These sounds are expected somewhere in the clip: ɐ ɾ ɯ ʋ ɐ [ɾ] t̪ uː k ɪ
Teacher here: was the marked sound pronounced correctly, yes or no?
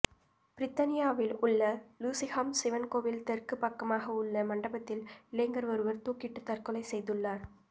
yes